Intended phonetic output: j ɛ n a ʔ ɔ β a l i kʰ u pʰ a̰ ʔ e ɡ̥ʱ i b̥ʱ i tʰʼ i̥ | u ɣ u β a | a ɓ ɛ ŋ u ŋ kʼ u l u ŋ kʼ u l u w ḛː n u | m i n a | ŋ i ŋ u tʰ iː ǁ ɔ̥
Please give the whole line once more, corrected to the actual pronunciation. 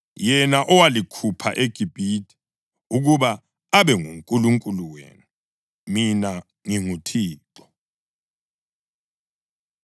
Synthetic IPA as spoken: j ɛ n a ʔ ɔ w a l i kʰ u pʰ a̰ ʔ e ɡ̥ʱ i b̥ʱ i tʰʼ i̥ | u ɣ u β a | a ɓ ɛ ŋ u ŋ kʼ u l u ŋ kʼ u l u w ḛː n u | m i n a | ŋ i ŋ u tʰ iː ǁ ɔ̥